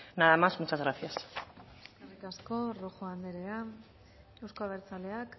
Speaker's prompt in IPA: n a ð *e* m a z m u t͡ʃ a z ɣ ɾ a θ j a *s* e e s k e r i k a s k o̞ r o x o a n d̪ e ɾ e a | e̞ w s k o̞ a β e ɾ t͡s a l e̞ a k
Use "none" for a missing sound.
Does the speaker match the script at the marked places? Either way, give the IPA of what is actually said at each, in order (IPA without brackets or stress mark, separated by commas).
a, s